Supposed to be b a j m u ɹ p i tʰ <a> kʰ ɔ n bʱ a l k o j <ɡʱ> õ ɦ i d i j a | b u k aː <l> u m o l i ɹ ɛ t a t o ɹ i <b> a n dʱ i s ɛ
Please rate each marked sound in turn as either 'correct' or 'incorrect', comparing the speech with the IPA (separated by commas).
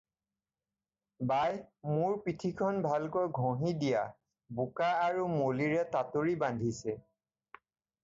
incorrect, correct, incorrect, correct